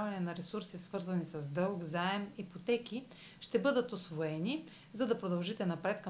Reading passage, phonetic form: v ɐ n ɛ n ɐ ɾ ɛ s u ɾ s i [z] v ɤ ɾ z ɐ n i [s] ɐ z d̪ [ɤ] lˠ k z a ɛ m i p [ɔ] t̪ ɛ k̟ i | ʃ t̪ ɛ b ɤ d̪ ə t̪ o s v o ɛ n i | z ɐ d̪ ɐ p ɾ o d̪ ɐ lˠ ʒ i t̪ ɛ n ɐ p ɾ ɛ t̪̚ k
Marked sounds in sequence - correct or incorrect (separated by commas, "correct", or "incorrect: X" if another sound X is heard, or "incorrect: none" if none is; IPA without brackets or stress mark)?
incorrect: s, correct, correct, incorrect: o